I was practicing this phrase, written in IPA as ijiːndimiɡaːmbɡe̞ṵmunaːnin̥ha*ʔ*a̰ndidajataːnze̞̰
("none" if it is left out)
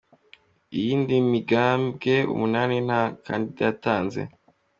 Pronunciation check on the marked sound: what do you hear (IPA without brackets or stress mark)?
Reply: k